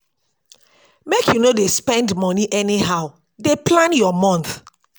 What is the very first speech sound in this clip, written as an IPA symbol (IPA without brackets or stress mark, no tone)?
m